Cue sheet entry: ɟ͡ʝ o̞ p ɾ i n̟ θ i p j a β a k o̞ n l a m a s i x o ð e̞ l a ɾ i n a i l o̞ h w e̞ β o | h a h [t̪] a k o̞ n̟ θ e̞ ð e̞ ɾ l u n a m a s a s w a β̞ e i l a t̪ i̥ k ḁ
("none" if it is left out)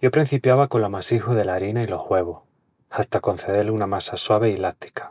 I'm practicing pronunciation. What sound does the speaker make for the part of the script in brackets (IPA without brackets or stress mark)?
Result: t̪